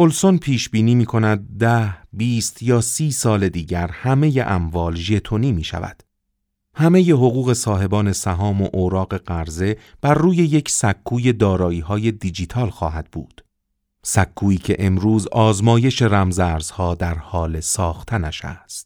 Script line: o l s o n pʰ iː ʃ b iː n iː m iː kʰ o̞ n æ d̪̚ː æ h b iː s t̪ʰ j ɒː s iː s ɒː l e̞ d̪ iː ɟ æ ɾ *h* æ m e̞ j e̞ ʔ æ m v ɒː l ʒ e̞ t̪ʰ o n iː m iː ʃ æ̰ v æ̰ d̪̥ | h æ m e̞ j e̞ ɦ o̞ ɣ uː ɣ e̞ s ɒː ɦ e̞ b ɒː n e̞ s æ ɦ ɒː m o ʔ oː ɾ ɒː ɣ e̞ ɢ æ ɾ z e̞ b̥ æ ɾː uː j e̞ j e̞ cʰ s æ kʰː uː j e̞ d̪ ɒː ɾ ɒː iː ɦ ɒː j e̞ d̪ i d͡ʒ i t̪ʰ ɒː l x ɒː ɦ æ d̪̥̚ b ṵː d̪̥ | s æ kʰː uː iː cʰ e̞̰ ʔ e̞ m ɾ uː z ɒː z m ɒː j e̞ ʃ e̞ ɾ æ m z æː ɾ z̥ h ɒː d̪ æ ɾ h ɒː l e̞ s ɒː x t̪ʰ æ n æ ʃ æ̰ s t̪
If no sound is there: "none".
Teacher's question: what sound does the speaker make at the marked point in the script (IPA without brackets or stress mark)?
h